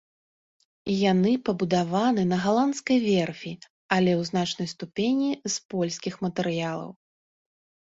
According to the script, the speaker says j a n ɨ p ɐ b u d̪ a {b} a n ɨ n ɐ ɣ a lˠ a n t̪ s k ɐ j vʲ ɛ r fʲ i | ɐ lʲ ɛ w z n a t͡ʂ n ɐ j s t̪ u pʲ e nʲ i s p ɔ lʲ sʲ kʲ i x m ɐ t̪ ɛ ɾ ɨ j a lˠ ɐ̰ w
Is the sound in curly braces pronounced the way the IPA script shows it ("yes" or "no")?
no